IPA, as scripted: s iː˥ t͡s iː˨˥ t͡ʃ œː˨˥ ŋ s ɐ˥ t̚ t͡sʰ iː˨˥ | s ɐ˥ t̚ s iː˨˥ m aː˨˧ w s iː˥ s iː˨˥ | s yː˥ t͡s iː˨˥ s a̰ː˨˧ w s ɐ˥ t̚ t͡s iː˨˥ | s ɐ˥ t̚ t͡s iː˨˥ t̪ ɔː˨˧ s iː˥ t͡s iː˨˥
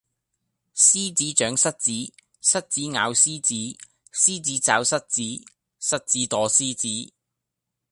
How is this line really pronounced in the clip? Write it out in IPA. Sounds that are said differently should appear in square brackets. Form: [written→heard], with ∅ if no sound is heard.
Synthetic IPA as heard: s iː˥ t͡s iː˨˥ t͡ʃ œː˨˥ ŋ s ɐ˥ t̚ [t͡sʰ→t͡s] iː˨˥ | s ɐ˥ t̚ [s→t͡s] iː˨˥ [m→ŋ] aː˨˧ w s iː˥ [s→t͡s] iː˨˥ | s [yː˥→iː˥] t͡s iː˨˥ [s→t͡s] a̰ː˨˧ w s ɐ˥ t̚ t͡s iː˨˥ | s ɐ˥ t̚ t͡s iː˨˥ t̪ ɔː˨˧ s iː˥ t͡s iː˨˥